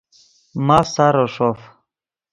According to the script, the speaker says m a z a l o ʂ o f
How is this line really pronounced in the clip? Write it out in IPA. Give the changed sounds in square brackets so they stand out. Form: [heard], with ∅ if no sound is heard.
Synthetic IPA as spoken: m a [s] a [ɾ] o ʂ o f